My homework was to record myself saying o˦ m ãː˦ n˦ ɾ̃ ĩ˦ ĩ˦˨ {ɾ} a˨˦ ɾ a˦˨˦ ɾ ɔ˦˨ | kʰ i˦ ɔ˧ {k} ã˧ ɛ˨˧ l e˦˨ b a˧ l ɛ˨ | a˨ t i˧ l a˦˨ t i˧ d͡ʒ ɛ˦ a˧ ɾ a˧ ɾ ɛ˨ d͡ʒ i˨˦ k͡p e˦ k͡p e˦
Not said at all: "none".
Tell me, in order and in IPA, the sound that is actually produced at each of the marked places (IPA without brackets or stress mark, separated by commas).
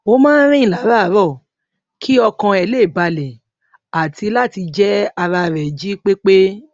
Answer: l, k